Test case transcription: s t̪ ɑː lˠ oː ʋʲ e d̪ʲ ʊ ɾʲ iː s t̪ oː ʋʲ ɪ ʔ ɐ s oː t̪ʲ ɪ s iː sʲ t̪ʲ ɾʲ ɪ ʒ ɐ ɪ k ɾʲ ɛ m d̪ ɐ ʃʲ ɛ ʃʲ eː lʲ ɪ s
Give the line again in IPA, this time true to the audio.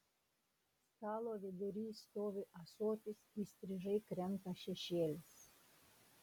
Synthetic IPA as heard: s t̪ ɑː lˠ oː ʋʲ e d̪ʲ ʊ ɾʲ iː s t̪ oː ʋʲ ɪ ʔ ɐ s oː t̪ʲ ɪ s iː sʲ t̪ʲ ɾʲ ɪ ʒ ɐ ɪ k ɾʲ ɛ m t̪ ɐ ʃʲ ɛ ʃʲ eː lʲ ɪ s